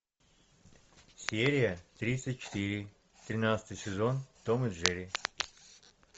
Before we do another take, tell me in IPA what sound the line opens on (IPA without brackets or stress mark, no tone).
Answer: sʲ